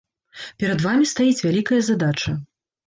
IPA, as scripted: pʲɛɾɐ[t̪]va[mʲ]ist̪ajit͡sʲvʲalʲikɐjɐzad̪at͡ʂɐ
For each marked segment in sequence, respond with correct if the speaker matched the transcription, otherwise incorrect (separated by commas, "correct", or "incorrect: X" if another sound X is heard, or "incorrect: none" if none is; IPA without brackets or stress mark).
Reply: incorrect: d̪, correct